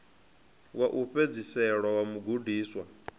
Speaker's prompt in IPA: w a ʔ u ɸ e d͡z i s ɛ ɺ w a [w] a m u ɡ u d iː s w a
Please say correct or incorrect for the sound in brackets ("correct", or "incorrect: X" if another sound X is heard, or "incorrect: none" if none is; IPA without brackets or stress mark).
correct